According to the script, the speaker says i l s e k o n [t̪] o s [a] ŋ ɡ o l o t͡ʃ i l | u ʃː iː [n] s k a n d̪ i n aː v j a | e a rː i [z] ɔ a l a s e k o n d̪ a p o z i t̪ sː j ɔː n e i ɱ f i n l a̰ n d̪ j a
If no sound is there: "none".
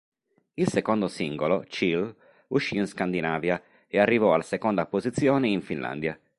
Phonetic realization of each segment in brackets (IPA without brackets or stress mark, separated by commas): d̪, i, n, v